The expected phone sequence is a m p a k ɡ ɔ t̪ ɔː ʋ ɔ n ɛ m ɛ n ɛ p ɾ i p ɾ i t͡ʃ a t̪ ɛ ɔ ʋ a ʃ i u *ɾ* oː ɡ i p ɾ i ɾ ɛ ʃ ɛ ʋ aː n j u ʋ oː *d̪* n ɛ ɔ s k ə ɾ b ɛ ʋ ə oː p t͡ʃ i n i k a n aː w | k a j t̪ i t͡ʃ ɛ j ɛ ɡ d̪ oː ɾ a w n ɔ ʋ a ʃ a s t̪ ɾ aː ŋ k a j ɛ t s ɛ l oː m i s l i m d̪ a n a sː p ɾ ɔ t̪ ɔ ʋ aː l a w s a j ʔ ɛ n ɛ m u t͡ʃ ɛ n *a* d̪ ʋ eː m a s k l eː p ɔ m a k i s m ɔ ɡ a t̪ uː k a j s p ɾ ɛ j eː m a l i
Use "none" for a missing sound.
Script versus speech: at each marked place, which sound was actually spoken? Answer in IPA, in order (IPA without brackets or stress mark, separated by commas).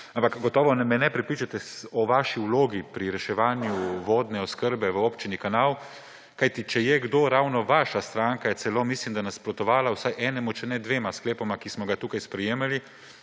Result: l, d̪, ɛ